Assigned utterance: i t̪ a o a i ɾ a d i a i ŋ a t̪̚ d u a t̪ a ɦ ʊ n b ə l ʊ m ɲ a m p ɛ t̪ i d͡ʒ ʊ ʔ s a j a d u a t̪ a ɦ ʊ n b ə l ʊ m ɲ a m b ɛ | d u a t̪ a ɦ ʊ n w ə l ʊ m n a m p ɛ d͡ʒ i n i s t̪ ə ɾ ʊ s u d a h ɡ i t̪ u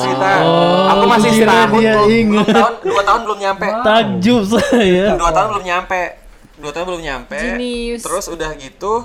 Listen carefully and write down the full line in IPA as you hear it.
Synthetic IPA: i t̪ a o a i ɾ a d i a i ŋ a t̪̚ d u a t̪ a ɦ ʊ n b ə l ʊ m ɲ a m p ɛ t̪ a d͡ʒ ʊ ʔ s a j a d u a t̪ a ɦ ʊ n b ə l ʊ m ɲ a m p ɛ | d u a t̪ a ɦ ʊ n b ə l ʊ m ɲ a m p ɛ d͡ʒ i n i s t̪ ə ɾ ʊ s u d a h ɡ i t̪ u